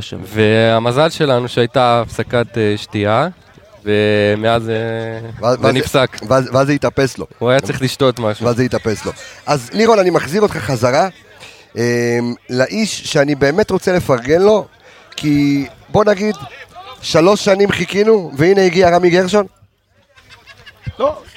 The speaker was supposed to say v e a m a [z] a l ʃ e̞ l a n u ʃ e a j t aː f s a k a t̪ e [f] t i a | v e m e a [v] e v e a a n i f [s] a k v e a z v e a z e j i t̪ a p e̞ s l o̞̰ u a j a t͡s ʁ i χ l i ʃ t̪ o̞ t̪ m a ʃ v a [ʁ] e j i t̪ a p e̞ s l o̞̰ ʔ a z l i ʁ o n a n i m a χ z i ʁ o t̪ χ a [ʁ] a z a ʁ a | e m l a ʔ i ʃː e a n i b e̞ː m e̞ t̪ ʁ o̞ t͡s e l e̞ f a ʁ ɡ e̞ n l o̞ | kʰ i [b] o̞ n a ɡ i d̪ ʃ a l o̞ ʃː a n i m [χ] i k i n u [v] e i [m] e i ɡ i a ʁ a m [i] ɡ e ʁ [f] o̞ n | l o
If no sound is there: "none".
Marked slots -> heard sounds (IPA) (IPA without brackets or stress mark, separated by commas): z, ʃ, z, s, z, χ, b, χ, v, n, i, ʃ